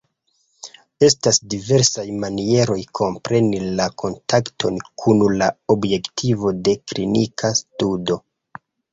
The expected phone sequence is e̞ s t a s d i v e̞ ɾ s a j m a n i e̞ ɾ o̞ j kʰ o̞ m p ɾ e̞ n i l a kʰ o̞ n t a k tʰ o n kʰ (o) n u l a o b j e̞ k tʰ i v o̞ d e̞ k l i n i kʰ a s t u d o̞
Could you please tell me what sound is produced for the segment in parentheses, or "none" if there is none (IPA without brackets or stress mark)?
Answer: u